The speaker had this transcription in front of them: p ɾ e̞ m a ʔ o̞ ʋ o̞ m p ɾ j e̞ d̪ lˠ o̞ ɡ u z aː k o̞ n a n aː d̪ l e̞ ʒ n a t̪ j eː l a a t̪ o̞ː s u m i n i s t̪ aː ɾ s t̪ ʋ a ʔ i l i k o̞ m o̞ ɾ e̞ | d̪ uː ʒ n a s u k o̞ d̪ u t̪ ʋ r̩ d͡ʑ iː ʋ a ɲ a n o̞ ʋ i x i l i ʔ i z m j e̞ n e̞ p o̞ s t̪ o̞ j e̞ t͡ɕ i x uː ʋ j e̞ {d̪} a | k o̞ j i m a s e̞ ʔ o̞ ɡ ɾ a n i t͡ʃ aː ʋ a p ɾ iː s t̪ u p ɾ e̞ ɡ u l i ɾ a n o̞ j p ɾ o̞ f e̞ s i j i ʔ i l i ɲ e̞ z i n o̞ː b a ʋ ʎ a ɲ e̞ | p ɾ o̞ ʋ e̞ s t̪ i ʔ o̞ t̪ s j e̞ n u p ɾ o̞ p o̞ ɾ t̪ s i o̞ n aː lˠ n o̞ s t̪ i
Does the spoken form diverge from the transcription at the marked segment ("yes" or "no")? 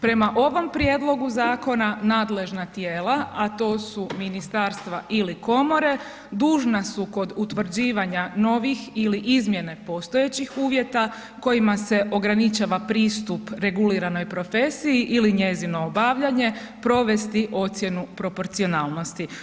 yes